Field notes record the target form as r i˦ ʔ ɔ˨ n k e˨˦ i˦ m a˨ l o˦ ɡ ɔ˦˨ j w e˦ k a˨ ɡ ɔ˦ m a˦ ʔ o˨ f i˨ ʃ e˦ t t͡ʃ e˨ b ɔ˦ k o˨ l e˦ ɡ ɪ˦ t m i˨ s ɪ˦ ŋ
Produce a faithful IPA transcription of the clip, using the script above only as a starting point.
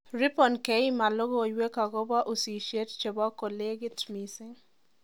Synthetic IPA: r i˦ p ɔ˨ n k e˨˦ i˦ m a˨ l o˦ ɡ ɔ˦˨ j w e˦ k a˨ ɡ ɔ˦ b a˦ ʔ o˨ s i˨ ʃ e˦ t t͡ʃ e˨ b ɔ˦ k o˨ l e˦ ɡ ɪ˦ t m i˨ s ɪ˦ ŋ

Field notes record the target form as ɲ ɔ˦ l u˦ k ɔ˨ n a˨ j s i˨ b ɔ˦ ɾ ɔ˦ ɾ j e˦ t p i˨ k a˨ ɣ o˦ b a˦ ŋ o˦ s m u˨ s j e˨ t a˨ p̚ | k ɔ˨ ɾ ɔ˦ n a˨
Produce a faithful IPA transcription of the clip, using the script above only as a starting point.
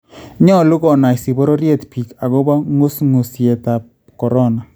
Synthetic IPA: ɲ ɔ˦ l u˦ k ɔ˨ n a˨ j s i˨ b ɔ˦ ɾ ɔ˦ ɾ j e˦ t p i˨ k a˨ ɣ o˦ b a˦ ŋ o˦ s ŋ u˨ s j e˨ t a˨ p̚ | k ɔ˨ ɾ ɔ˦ n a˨

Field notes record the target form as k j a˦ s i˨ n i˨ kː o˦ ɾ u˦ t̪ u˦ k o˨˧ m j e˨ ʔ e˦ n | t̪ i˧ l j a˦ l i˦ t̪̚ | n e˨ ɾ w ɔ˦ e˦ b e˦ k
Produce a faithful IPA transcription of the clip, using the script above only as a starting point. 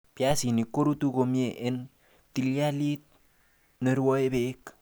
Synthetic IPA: p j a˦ s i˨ n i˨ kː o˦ ɾ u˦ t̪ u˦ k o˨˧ m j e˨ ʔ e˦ n | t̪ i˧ l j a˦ l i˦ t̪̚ | n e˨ ɾ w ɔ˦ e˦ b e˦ k

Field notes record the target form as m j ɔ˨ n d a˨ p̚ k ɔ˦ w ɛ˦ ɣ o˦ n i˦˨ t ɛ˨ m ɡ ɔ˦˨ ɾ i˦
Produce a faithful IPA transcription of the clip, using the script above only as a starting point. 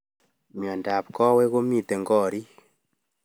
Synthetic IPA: m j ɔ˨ n d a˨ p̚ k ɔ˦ w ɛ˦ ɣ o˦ m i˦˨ t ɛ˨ ŋ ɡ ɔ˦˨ ɾ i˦

